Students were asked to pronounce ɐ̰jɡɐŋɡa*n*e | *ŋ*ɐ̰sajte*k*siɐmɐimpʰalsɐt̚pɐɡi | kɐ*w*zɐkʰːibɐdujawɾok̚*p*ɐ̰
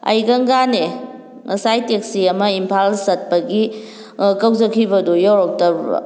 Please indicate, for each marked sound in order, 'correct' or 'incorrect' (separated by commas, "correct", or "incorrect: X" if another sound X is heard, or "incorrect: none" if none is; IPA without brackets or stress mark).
correct, correct, correct, correct, incorrect: t